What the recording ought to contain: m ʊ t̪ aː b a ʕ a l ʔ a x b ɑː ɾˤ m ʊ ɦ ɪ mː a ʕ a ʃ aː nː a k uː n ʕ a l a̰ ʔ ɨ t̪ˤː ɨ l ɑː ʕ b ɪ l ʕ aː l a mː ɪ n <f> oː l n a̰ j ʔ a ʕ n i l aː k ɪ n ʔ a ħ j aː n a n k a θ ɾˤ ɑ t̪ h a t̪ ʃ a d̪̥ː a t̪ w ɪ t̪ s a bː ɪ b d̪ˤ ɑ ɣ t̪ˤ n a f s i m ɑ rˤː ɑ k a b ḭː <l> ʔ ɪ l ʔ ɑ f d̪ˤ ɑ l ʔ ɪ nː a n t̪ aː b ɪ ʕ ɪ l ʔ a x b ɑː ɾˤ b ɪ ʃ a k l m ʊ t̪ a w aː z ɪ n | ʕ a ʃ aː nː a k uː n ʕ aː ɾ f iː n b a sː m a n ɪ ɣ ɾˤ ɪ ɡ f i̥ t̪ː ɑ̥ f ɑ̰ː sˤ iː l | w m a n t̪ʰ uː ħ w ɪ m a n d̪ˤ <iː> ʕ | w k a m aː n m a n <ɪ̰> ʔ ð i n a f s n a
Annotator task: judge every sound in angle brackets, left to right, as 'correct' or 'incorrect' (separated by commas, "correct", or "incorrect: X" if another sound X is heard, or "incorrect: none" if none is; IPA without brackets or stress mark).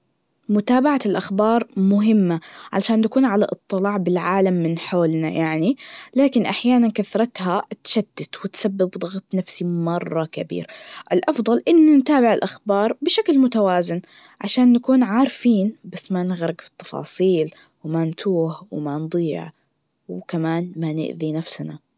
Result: incorrect: ħ, incorrect: ɾ, correct, correct